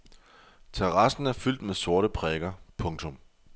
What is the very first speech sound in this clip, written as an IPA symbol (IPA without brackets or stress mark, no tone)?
t͡sʰ